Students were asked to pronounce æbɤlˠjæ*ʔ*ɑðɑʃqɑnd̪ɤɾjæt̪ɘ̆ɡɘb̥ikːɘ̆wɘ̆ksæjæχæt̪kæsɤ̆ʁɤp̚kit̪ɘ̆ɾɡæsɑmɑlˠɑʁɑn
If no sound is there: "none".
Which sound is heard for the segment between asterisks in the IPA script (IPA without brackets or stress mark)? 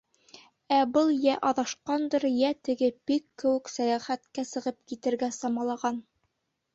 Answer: ʔ